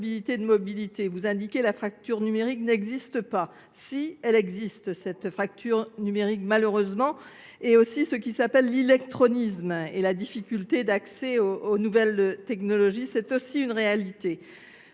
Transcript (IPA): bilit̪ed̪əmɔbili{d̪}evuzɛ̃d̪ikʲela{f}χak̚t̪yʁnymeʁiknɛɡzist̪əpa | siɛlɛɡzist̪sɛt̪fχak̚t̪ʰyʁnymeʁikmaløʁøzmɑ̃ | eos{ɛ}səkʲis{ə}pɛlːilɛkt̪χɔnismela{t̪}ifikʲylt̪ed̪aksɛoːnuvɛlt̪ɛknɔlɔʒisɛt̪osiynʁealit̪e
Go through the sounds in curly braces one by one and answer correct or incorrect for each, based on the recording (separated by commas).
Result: incorrect, correct, incorrect, incorrect, incorrect